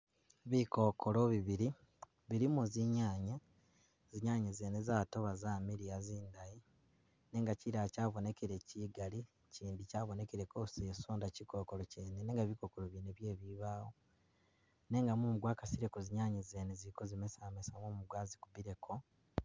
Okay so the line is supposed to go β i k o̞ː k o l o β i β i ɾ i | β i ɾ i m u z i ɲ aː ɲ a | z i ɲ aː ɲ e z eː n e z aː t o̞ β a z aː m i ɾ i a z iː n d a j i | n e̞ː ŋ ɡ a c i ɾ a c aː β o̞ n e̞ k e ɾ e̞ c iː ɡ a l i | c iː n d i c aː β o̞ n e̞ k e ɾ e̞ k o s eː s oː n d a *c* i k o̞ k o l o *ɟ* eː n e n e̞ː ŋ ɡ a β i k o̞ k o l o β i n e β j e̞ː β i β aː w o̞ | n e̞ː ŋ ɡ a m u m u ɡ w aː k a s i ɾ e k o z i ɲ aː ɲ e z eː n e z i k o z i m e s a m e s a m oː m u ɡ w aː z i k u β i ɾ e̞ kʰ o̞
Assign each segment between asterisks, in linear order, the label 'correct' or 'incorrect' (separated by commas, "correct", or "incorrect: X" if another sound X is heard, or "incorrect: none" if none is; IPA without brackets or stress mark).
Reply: correct, incorrect: c